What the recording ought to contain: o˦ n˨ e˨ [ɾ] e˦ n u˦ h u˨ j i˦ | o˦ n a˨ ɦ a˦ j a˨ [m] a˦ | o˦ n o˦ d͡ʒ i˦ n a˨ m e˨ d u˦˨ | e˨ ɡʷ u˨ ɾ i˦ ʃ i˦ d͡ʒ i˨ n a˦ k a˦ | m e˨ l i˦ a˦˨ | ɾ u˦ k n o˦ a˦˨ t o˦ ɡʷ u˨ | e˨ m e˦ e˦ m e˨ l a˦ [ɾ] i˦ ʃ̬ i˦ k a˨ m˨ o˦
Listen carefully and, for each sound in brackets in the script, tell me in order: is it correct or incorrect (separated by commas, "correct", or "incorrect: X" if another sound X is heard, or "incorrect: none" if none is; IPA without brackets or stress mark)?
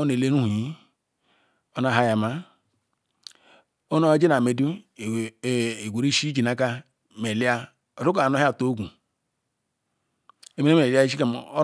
incorrect: l, correct, incorrect: none